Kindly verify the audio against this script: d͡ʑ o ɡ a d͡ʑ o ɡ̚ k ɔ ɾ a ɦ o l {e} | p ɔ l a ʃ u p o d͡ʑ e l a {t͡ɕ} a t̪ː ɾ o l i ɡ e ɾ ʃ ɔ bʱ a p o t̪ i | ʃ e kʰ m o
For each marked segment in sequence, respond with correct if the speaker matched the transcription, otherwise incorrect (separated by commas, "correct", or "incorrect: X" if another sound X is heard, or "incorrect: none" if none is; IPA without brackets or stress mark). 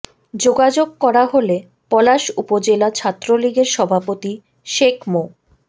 correct, incorrect: t͡ɕʰ